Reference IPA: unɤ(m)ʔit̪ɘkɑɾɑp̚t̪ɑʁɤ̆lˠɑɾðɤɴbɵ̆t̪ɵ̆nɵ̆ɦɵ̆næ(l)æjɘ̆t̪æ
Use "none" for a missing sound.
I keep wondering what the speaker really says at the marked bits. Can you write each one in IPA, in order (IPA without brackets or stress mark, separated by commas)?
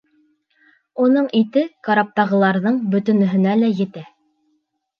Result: ɴ, l